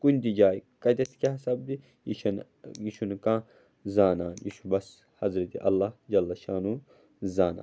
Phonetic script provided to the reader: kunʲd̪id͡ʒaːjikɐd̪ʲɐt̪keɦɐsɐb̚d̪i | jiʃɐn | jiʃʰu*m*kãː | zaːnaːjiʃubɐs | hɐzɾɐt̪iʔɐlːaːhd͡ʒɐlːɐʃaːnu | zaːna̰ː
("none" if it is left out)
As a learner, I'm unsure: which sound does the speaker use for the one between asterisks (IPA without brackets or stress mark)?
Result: n